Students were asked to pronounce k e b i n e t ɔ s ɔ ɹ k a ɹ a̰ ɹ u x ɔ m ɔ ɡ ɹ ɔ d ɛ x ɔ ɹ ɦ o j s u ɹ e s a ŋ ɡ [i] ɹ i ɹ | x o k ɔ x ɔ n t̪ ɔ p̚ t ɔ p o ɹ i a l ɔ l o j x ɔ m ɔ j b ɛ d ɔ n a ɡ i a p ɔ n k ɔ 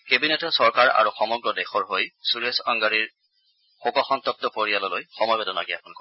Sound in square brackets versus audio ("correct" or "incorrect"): incorrect